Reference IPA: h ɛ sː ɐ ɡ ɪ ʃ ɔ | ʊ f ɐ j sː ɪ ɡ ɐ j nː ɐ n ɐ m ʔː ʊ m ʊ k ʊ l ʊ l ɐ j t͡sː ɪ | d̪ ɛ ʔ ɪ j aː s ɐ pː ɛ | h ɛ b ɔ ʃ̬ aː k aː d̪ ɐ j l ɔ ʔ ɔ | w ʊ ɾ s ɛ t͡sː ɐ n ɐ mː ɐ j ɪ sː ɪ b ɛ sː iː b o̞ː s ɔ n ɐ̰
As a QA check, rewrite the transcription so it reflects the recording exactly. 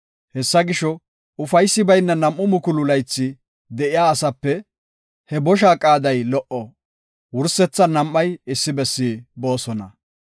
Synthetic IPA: h ɛ sː ɐ ɡ ɪ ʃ ɔ | ʊ f ɐ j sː ɪ b ɐ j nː ɐ n ɐ m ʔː ʊ m ʊ k ʊ l ʊ l ɐ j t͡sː ɪ | d̪ ɛ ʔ ɪ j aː s ɐ pː ɛ | h ɛ b ɔ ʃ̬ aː kʼ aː d̪ ɐ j l ɔ ʔ ɔ | w ʊ ɾ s ɛ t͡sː ɐ n ɐ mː ɐ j ɪ sː ɪ b ɛ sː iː b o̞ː s ɔ n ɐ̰